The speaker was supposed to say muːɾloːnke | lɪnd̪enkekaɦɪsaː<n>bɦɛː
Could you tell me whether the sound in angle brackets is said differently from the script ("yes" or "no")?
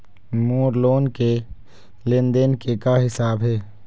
yes